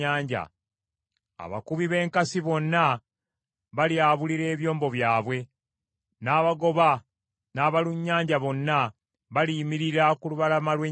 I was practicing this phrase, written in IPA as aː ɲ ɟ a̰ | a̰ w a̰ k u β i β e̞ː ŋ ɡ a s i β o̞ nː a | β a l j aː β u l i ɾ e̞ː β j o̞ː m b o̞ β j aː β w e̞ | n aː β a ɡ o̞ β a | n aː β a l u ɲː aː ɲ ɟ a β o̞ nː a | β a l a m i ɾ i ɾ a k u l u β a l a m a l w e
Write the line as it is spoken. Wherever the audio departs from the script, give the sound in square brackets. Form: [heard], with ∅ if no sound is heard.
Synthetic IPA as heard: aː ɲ ɟ a̰ | a̰ [β] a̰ k u β i β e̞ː ŋ [k] a s i β o̞ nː a | β a l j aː β u l i ɾ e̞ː β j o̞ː m b o̞ β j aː β w e̞ | n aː β a ɡ o̞ β a | n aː β a l u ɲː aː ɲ ɟ a β o̞ nː a | β a l [i] m i ɾ i ɾ a k u l u β a l a m a l w e

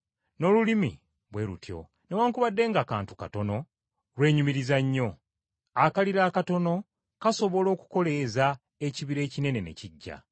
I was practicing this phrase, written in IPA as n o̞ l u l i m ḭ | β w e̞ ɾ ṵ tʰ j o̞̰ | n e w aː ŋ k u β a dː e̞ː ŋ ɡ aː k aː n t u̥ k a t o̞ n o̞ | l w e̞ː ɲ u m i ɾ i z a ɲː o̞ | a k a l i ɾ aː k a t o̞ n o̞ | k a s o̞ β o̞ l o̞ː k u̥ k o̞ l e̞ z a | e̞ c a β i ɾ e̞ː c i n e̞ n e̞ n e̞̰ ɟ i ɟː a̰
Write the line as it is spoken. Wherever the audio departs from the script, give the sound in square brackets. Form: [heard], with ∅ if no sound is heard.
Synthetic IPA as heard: n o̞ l u l i m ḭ | β w e̞ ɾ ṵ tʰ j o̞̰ | n e w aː ŋ k u β a dː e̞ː ŋ ɡ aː k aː n t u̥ k a t o̞ n o̞ | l w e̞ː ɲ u m i ɾ i z a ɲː o̞ | a k a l i ɾ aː k a t o̞ n o̞ | k a s o̞ β o̞ l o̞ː k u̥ k o̞ l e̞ z a | e̞ c [i] β i ɾ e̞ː c i n e̞ n e̞ n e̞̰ [c] i ɟː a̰

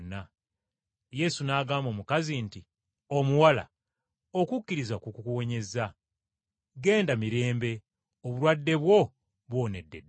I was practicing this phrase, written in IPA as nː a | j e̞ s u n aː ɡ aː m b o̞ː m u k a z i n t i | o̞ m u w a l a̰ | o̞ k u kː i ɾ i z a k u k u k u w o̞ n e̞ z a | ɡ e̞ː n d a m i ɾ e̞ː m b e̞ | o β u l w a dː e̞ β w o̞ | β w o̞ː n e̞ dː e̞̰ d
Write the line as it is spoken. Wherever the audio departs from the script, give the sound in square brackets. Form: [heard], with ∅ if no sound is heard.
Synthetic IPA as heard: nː a | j e̞ s u n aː ɡ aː m b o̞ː m u k a z i n t i | o̞ m u w a l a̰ | o̞ k u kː i ɾ i z a k u k u k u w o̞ [ɲ] e̞ z a | ɡ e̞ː n d a m i ɾ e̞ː m b e̞ | o β u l w a dː e̞ β w o̞ | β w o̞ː n e̞ dː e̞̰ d

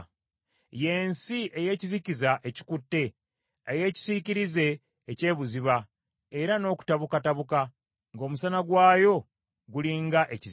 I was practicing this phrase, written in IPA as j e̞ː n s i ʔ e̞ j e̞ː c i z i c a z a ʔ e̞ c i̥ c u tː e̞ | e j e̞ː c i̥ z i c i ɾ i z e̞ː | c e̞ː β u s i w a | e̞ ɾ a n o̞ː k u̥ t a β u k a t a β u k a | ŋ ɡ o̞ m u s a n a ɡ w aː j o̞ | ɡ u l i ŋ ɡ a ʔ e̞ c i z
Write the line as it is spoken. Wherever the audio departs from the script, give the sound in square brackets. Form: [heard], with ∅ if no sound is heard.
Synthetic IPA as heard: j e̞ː n s i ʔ e̞ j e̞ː c i z i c [i] z a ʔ e̞ c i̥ [k] u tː e̞ | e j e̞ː c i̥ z i c i ɾ i z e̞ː | c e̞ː β u [z] i [β] a | e̞ ɾ a n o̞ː k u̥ t a β u k a t a β u k a | ŋ ɡ o̞ m u s a n a ɡ w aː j o̞ | ɡ u l i ŋ ɡ a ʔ e̞ c i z

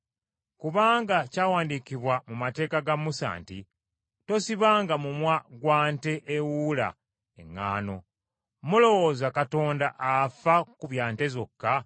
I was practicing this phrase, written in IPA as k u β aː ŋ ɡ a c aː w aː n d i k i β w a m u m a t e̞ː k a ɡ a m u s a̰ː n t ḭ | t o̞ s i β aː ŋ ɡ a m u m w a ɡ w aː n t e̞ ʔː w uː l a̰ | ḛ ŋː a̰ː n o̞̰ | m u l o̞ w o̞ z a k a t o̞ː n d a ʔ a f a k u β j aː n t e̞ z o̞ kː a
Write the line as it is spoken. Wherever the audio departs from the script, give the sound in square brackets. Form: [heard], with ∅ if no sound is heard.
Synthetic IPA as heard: k u β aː ŋ ɡ a c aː w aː n d i k i β w a m u m a t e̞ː k a ɡ a m u s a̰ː n t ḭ | t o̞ s i β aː ŋ ɡ a m u m w a ɡ w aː n t e̞ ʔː w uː l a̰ | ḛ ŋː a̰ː n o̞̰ | m u l o̞ w o̞ z a k a t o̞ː n d a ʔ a f a k u β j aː n t e̞ z o̞ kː a

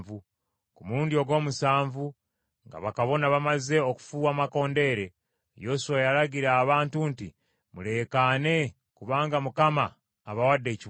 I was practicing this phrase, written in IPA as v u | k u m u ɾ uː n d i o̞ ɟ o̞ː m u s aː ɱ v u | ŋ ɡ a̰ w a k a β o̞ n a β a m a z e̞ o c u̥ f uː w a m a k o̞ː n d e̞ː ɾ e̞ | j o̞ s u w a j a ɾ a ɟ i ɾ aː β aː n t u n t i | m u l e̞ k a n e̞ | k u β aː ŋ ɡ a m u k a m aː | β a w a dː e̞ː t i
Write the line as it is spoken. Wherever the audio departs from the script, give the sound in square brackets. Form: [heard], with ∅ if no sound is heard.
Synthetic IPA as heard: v u | k u m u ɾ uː n d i o̞ [ɡ] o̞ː m u s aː ɱ v u | ŋ ɡ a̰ [β] a k a β o̞ n a β a m a z e̞ o [k] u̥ f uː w a m a k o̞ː n d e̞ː ɾ e̞ | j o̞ s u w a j a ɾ a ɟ i ɾ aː β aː n t u n t i | m u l e̞ k a n e̞ | k u β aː ŋ ɡ a m u k a m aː | β a w a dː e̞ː [c] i

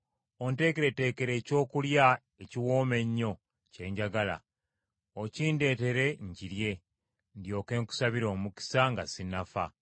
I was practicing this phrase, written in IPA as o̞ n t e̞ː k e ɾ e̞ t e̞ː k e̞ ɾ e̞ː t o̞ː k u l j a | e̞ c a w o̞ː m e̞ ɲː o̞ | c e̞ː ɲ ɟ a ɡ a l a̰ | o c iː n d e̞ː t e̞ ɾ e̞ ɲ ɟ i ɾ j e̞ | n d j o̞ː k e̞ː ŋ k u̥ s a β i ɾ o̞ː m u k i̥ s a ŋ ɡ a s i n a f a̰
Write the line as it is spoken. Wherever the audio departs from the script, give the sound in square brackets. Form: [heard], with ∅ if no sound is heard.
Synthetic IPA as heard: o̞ n t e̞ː k e ɾ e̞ t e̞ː k e̞ ɾ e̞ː [c] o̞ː k u l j a | e̞ c [i] w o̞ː m e̞ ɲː o̞ | c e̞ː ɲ ɟ a ɡ a l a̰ | o c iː n d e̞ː t e̞ ɾ e̞ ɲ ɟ i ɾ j e̞ | n d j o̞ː k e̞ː ŋ k u̥ s a β i ɾ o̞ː m u k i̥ s a ŋ ɡ a s i n a f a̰

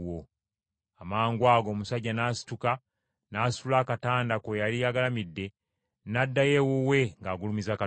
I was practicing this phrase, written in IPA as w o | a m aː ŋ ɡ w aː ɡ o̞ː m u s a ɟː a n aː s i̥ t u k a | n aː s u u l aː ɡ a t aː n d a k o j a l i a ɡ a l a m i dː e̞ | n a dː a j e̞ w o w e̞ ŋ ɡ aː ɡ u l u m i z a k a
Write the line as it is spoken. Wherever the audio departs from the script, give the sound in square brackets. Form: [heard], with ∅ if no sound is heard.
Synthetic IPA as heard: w o | a m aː ŋ ɡ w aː ɡ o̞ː m u s a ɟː a n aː s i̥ t u k a | n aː s u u l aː [k] a t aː n d a k o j a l i a ɡ a l a m i dː e̞ | n a dː a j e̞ w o w e̞ ŋ ɡ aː ɡ u l u m i z a k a

